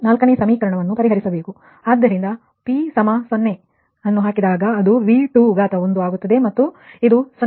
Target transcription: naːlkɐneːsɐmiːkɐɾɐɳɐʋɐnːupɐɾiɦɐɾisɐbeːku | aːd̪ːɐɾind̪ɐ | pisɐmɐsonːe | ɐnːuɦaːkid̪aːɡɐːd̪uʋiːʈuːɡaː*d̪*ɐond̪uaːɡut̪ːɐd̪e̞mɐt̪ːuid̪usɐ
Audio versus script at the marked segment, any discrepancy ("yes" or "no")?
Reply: yes